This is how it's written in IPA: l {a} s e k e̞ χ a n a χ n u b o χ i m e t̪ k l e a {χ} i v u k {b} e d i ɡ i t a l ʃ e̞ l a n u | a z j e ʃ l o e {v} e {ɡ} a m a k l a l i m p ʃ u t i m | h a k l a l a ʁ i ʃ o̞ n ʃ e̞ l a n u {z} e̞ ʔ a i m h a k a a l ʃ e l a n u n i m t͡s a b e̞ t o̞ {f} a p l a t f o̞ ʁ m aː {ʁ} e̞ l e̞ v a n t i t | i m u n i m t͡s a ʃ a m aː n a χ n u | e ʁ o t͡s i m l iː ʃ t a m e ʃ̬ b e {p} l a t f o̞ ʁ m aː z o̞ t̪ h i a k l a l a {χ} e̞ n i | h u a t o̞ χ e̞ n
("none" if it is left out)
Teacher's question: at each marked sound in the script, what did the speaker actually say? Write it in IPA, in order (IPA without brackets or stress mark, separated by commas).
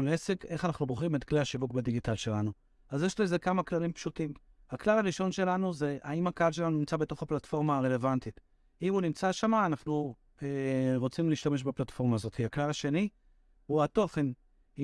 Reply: e, ʃ, b, z, k, z, χ, ʁ, p, ʃ